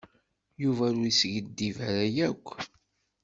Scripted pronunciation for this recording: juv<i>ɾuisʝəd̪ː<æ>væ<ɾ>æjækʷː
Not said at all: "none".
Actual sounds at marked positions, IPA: æ, i, ɾ

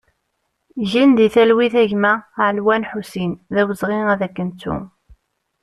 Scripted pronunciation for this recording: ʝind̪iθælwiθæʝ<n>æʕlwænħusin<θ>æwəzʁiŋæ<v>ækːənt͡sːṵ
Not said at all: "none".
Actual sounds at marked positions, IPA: m, ð, ð

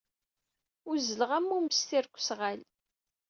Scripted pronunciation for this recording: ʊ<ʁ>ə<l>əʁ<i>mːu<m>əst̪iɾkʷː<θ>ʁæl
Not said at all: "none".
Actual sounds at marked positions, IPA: z, l, æ, m, s

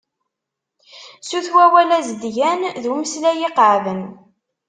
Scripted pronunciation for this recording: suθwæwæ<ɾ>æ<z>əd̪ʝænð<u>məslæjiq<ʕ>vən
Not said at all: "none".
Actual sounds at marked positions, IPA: l, z, u, ʕ

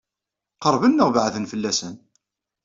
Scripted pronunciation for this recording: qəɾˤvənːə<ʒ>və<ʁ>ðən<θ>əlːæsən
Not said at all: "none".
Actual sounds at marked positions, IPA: ʁ, ʕ, f

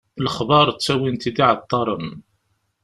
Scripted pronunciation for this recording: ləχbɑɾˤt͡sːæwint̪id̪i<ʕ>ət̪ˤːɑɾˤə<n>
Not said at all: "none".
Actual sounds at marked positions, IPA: ʕ, n

